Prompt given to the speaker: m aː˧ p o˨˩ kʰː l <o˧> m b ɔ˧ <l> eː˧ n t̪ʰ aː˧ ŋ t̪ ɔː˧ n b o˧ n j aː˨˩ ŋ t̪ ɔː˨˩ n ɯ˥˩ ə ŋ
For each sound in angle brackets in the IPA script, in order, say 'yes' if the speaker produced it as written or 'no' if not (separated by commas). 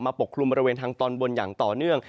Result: no, no